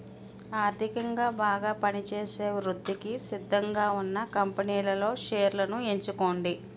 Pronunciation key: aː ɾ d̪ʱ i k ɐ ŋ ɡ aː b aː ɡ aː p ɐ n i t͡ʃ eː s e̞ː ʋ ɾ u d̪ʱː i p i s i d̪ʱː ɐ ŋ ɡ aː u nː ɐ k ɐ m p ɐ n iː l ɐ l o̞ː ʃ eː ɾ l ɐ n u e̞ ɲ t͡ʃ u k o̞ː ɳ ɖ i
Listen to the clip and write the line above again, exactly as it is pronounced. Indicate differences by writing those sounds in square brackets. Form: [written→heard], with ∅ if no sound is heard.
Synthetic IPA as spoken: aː ɾ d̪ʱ i k ɐ ŋ ɡ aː b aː ɡ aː p ɐ n i t͡ʃ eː s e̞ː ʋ ɾ u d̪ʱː i [p→k] i s i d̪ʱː ɐ ŋ ɡ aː u nː ɐ k ɐ m p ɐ n iː l ɐ l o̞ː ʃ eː ɾ l ɐ n u e̞ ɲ t͡ʃ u k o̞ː ɳ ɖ i